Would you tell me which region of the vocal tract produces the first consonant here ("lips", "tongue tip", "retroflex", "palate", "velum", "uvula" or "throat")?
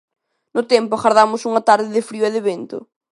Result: tongue tip